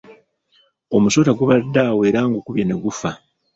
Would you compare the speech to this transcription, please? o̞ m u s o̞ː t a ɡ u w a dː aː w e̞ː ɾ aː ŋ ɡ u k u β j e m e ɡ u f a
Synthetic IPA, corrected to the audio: o̞ m u s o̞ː t a ɡ u β a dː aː w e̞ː ɾ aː ŋ ɡ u k u β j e n e ɡ u f a